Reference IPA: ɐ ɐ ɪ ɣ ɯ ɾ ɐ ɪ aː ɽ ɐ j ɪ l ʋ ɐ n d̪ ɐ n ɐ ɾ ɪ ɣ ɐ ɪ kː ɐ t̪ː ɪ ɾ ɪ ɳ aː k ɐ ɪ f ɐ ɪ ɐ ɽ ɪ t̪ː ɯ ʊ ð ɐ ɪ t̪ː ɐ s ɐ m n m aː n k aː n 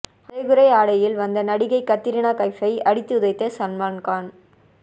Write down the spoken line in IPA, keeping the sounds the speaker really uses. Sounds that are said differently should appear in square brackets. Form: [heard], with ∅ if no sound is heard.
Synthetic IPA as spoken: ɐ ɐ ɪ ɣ ɯ ɾ ɐ ɪ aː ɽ ɐ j ɪ l ʋ ɐ n d̪ ɐ n ɐ [ɽ] ɪ ɣ ɐ ɪ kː ɐ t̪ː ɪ ɾ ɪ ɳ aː k ɐ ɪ f ɐ ɪ ɐ ɽ ɪ t̪ː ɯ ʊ ð ɐ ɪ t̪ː ɐ s ɐ [∅] n m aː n k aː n